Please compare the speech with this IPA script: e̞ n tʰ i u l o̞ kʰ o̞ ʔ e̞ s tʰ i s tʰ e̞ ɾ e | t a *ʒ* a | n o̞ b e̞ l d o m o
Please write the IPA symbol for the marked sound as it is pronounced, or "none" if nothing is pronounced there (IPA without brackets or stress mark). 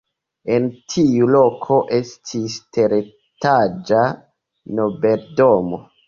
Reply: d͡ʒ